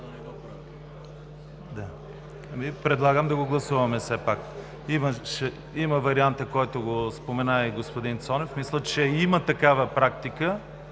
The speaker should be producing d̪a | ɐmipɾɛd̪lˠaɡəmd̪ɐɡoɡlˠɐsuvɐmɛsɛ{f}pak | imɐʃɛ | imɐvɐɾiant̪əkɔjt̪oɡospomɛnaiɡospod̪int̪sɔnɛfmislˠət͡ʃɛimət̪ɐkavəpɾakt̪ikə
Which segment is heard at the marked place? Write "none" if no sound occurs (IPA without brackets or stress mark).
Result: none